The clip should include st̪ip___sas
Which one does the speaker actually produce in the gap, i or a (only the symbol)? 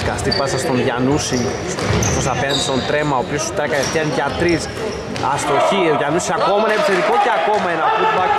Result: a